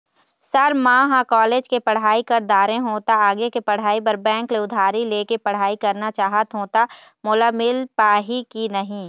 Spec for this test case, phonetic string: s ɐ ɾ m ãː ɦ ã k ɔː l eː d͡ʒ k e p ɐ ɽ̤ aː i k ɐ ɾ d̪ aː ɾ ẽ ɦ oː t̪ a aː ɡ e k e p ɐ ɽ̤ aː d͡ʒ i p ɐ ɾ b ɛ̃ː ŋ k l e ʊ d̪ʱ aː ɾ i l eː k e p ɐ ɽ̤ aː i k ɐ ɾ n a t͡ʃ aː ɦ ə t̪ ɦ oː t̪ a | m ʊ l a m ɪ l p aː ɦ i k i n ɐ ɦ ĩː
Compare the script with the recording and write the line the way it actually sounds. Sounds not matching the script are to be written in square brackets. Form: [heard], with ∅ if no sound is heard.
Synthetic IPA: s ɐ ɾ m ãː ɦ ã k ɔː l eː d͡ʒ k e p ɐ ɽ̤ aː i k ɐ ɾ d̪ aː ɾ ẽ ɦ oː t̪ a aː ɡ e k e p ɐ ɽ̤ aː [∅] i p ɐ ɾ b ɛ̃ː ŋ k l e ʊ d̪ʱ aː ɾ i l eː k e p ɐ ɽ̤ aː i k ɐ ɾ n a t͡ʃ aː ɦ ə t̪ ɦ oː t̪ a | m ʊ l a m ɪ l p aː ɦ i k i n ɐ ɦ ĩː